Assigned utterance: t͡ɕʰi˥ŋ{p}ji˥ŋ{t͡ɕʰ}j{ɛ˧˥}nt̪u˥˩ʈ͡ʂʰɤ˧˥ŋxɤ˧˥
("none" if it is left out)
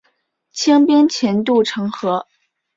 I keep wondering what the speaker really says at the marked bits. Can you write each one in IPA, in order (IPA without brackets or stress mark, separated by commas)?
p, t͡ɕʰ, ɛ˧˥